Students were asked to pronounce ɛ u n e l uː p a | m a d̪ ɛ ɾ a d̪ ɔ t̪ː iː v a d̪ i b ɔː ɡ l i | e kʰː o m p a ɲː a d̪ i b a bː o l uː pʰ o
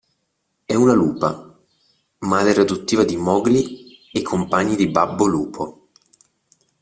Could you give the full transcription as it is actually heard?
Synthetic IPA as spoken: ɛ u n a l uː p a | m a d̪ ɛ ɾ a d̪ u t̪ː iː v a d̪ i m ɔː ɡ l i | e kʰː o m p a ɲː i d̪ i b a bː o l uː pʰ o